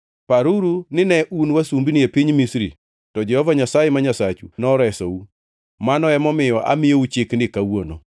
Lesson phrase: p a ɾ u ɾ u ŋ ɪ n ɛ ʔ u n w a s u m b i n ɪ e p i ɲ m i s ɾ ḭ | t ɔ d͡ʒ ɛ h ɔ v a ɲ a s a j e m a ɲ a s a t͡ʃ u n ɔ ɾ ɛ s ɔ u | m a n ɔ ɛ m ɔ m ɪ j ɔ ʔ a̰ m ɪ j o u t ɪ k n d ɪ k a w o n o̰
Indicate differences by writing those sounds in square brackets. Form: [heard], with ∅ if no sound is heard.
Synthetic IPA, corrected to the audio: p a ɾ u ɾ u [n] ɪ n ɛ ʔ u n w a s u m b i n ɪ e p i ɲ m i s ɾ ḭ | t ɔ d͡ʒ ɛ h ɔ v a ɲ a s a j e m a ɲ a s a t͡ʃ u n ɔ ɾ ɛ s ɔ u | m a n ɔ ɛ m ɔ m ɪ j ɔ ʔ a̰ m ɪ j o u [t͡ʃ] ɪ k n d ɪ k a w o n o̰

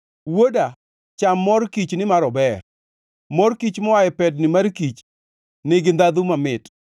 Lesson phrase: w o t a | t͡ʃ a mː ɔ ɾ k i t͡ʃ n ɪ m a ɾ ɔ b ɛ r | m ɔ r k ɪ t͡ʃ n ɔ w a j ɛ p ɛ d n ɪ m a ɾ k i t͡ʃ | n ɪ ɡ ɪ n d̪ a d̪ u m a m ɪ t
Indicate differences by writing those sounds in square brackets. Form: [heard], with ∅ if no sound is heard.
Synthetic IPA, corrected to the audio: w o [d] a | t͡ʃ a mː ɔ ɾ k i t͡ʃ n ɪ m a ɾ ɔ b ɛ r | m ɔ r k [i] t͡ʃ [m] ɔ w a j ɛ p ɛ d n ɪ m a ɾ k i t͡ʃ | n ɪ ɡ ɪ n d̪ a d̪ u m a m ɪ t

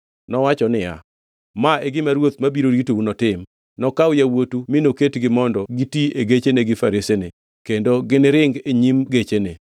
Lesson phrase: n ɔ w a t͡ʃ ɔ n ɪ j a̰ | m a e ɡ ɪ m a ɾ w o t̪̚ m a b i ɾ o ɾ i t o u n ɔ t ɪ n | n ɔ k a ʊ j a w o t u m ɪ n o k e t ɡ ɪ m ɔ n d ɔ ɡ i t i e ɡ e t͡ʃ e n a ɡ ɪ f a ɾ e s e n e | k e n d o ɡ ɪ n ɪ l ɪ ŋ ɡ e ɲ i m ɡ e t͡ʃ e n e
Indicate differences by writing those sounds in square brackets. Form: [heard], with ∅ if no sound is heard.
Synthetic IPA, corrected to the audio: n ɔ w a t͡ʃ ɔ n ɪ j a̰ | m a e ɡ ɪ m a ɾ w o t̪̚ m a b i ɾ o ɾ i t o u n ɔ t ɪ [m] | n ɔ k a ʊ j a w o t u m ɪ n o k e t ɡ ɪ m ɔ n d ɔ ɡ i t i e ɡ e t͡ʃ e n [e] ɡ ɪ f a ɾ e s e n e | k e n d o ɡ ɪ n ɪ [ɾ] ɪ ŋ ɡ e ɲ i m ɡ e t͡ʃ e n e

